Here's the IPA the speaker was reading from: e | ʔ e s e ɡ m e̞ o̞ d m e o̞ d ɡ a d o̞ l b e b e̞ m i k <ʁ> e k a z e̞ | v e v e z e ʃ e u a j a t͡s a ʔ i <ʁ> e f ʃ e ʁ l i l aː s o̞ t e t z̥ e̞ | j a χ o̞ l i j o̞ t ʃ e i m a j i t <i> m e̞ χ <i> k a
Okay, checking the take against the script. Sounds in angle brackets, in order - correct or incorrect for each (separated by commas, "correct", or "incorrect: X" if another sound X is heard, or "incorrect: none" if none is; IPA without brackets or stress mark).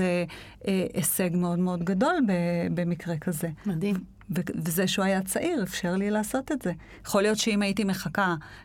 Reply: correct, correct, correct, incorrect: a